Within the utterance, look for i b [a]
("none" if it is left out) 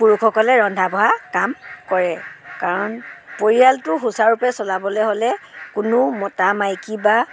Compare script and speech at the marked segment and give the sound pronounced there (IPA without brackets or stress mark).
a